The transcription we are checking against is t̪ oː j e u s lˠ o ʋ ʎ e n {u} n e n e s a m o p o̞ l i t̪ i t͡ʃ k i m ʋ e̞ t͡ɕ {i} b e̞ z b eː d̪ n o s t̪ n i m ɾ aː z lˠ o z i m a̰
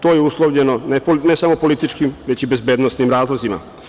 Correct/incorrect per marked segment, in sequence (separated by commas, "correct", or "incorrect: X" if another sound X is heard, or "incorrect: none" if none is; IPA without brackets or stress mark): incorrect: o, correct